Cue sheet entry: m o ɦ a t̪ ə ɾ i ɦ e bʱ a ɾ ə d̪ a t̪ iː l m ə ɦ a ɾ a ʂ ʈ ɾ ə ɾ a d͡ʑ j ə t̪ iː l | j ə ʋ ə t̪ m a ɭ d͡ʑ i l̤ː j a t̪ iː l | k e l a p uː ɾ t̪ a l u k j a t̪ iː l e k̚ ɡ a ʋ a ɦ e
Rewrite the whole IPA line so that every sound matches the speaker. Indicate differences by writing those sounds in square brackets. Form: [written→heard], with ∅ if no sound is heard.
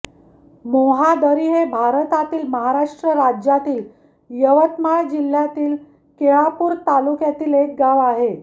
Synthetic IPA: m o ɦ a [t̪→d̪] ə ɾ i ɦ e bʱ a ɾ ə [d̪→t̪] a t̪ iː l m ə ɦ a ɾ a ʂ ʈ ɾ ə ɾ a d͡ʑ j [ə→a] t̪ iː l | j ə ʋ ə t̪ m a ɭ d͡ʑ i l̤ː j a t̪ iː l | k e [l→ɭ] a p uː ɾ t̪ a l u k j a t̪ iː l e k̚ ɡ a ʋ a ɦ e